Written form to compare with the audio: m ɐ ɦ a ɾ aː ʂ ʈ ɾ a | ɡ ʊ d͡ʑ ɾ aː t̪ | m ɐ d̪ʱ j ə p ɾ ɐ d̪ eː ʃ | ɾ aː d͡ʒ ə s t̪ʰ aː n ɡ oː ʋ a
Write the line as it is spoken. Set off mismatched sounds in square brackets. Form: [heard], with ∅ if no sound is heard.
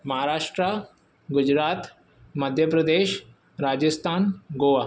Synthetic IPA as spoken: m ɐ ɦ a ɾ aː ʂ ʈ ɾ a | ɡ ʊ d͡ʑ ɾ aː t̪ | m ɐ d̪ʱ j ə p ɾ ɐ d̪ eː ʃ | ɾ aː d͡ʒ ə s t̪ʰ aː n ɡ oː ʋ a